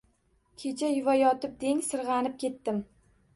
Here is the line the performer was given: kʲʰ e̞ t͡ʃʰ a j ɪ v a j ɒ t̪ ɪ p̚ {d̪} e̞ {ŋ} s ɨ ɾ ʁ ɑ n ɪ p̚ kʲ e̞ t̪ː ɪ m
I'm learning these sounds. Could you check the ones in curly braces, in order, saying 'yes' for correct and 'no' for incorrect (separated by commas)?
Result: yes, yes